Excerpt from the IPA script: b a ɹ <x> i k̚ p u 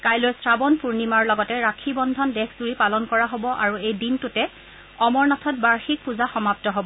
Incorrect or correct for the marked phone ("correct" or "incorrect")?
correct